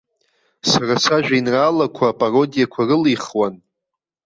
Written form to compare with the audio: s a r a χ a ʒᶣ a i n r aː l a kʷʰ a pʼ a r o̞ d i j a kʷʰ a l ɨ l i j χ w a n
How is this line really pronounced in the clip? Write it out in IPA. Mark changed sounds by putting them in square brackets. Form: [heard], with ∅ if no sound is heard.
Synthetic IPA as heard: s a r a [s] a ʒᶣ a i n r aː l a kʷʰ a pʼ a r o̞ d i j a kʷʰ a [r] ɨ l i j χ w a n